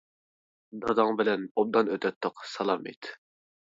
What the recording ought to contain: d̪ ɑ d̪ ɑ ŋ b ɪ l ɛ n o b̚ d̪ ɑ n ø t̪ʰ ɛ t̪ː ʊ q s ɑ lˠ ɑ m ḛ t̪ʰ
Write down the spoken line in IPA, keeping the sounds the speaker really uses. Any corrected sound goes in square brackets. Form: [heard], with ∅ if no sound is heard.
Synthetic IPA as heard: d̪ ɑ d̪ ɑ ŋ b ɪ l ɛ n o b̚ d̪ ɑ n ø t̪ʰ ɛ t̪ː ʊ q s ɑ lˠ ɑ m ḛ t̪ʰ